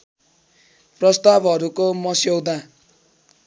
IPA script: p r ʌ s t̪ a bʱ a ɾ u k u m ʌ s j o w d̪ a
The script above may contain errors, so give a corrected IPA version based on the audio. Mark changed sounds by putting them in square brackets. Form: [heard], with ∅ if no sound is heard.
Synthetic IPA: p r ʌ s t̪ a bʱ [ʌ] ɾ u k [o] m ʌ s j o w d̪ a